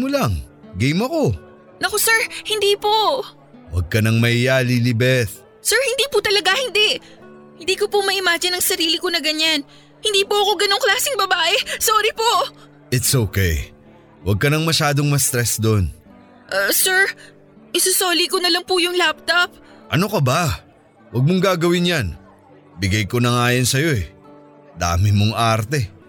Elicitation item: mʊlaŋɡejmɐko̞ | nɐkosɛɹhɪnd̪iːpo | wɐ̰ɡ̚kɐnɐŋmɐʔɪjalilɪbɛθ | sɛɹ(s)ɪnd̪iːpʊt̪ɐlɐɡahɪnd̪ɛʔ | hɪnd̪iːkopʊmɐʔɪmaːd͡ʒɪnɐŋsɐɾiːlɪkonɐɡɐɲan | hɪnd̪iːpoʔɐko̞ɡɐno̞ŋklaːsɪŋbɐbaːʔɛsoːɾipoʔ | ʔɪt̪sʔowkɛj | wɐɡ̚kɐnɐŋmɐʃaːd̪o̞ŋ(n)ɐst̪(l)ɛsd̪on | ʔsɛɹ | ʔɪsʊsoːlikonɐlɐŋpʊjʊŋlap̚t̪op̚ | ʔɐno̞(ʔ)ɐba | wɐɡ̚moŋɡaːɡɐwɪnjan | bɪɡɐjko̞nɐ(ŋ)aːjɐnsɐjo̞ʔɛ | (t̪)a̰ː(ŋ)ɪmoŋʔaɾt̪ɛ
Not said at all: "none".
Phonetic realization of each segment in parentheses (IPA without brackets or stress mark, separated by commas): h, m, ɾ, k, ŋ, d̪, m